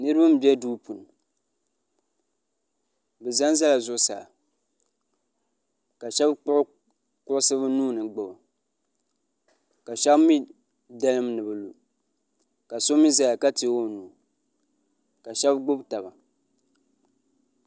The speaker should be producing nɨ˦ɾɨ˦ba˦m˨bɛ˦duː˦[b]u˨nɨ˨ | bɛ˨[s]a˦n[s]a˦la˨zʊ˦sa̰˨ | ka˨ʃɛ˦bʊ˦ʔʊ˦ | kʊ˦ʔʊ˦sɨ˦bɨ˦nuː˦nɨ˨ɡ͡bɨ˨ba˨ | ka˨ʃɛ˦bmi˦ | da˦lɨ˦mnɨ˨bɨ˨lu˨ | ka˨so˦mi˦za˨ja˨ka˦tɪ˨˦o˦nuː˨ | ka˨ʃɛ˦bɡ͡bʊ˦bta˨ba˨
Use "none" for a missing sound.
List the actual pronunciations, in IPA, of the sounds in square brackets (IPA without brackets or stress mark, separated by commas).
p, z, z